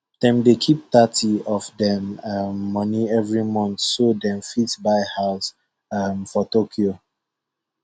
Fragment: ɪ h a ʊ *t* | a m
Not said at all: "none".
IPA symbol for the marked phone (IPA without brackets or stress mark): s